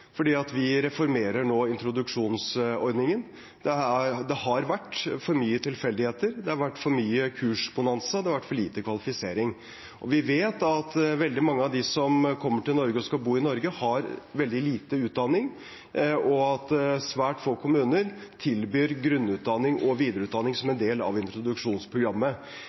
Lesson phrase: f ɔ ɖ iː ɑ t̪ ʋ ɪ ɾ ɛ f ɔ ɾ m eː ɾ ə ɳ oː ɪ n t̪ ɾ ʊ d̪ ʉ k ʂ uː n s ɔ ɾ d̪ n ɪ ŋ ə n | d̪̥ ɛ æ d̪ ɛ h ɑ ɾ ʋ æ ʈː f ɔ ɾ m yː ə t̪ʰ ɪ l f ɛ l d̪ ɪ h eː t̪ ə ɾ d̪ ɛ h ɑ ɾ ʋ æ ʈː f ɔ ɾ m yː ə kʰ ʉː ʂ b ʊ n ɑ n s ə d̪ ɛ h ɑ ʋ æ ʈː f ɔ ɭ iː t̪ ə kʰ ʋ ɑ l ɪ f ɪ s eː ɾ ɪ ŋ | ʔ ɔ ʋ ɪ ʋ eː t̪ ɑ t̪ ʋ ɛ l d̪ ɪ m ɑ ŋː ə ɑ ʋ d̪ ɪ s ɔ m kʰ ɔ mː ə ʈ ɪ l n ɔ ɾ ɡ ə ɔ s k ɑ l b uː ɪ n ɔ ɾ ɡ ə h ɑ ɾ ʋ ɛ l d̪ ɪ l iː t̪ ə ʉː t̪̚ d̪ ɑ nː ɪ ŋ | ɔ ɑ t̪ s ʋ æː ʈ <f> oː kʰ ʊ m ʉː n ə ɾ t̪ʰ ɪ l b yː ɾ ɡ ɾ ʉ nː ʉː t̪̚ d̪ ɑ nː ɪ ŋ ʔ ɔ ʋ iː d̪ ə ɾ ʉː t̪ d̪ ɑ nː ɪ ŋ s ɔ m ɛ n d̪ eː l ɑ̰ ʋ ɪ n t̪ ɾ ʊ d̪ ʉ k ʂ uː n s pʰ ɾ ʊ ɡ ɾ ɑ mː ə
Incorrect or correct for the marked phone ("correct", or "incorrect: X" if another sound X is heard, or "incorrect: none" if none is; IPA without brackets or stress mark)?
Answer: correct